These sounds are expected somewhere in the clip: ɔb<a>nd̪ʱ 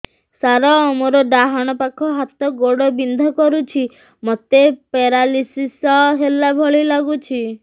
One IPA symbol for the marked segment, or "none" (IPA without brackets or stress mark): i